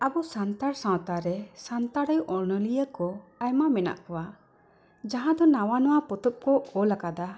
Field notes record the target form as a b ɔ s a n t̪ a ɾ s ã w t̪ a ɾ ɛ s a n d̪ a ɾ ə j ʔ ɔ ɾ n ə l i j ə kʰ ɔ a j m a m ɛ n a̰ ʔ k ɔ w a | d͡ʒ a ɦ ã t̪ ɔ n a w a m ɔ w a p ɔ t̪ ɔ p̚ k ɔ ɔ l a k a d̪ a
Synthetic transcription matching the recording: a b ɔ s a n t̪ a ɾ s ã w t̪ a ɾ ɛ s a n t̪ a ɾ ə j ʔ ɔ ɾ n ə l i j ə k ɔ a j m a m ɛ n a̰ ʔ k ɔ w a | d͡ʒ a ɦ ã d̪ ɔ n a w a n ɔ w a p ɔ t̪ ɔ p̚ k ɔ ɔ l a k a d̪ a